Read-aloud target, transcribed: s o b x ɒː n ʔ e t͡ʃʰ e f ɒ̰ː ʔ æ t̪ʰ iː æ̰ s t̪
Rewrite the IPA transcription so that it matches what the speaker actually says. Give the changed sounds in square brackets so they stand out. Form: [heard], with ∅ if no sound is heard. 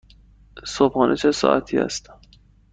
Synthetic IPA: s o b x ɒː n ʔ e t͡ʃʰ e [s] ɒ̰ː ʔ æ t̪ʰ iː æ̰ s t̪